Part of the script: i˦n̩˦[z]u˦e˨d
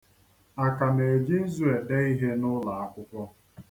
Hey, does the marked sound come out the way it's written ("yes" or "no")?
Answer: yes